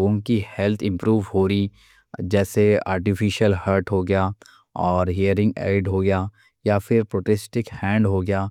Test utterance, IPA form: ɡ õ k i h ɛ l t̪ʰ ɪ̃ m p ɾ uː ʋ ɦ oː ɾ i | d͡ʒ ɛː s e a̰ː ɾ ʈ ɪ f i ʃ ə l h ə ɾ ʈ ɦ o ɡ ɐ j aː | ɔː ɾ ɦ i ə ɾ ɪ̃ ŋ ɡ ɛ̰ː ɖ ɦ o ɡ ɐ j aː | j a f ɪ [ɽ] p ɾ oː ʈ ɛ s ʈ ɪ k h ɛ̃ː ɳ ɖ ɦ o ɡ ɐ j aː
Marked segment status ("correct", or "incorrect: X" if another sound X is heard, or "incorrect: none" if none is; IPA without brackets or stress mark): incorrect: ɾ